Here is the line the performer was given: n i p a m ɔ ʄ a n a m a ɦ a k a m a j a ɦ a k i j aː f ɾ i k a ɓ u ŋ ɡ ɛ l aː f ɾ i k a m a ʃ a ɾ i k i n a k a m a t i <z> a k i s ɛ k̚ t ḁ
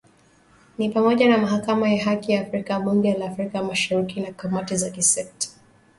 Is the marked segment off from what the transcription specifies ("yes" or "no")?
no